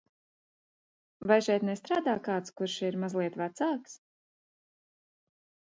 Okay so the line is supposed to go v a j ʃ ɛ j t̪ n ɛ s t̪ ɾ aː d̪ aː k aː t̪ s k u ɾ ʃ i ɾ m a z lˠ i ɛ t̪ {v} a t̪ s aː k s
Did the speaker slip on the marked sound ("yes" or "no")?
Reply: no